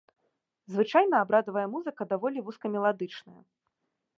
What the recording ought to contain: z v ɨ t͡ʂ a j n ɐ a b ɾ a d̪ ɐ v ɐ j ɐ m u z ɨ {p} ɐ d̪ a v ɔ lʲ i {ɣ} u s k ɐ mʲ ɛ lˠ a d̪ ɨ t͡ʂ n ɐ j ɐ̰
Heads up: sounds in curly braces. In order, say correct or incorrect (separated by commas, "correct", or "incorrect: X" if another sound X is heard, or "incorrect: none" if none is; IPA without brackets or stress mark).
incorrect: k, incorrect: v